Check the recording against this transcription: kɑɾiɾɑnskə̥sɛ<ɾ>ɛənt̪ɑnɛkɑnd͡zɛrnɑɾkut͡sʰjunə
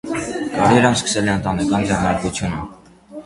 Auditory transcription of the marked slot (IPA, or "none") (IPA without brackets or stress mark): l